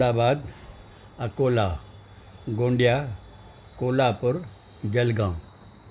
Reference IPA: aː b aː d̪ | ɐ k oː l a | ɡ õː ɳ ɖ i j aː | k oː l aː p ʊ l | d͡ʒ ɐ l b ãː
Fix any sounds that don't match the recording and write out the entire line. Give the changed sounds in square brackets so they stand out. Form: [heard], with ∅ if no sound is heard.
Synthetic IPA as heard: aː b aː d̪ | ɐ k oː l a | ɡ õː ɳ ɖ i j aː | k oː l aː p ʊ [ɾ] | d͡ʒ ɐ l [ɡ] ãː